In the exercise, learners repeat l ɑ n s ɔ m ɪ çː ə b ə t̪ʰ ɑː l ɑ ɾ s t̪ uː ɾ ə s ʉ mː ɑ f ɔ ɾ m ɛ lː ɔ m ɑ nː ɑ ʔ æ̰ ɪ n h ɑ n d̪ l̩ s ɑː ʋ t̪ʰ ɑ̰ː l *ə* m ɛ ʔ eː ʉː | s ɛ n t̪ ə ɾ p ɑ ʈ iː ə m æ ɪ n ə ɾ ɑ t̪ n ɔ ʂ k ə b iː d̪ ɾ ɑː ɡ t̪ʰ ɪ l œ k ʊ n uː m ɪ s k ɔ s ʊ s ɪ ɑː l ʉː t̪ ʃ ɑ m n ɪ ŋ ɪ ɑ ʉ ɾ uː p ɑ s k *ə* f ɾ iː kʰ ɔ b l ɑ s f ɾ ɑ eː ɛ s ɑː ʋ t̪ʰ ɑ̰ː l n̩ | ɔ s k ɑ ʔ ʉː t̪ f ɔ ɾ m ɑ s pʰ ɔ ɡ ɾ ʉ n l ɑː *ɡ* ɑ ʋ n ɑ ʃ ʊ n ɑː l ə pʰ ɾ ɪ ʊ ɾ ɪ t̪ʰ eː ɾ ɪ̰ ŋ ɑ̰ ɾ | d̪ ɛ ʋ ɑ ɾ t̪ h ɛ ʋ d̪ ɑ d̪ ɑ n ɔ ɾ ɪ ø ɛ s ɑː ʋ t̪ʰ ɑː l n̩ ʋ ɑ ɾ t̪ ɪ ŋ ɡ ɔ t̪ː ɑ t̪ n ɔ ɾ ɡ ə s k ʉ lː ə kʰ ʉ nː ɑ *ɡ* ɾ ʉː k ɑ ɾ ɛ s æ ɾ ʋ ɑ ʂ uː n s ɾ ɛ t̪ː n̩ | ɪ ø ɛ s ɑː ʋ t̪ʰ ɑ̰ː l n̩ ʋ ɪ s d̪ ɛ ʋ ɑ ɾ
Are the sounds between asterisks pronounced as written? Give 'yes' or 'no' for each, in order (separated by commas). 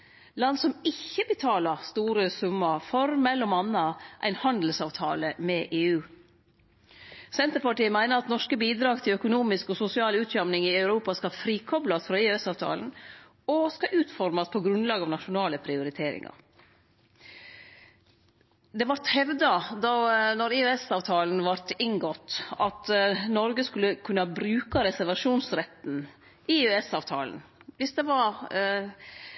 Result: yes, no, yes, no